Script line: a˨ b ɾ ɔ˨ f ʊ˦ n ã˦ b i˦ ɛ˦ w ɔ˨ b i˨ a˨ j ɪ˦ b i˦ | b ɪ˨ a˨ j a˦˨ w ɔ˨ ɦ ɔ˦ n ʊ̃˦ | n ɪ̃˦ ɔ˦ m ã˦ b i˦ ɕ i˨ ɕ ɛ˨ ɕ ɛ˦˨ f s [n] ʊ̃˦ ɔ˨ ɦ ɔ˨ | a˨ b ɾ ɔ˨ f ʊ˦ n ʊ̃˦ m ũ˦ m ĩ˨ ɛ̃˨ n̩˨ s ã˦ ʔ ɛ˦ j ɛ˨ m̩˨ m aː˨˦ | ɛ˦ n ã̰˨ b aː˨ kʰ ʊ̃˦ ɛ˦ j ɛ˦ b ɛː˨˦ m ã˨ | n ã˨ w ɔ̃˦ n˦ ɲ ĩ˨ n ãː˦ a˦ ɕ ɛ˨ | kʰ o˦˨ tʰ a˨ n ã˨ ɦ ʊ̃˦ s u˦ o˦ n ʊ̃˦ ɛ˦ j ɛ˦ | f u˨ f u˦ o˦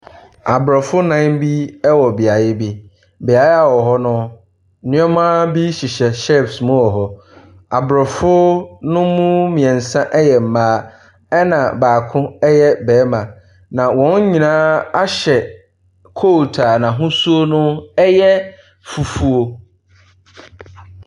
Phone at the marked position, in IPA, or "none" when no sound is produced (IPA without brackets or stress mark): m